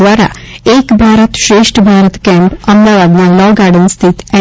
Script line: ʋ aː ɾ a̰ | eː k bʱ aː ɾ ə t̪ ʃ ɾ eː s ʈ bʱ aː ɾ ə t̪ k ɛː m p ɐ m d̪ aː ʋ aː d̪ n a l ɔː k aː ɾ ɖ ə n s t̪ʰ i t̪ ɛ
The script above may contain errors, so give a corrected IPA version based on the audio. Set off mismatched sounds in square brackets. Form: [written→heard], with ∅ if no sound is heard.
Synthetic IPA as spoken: ʋ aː ɾ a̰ | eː k bʱ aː ɾ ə t̪ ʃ ɾ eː [s→ʂ] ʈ bʱ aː ɾ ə t̪ k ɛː m p ɐ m d̪ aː ʋ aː d̪ n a l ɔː [k→ɡ] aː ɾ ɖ ə n s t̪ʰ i t̪ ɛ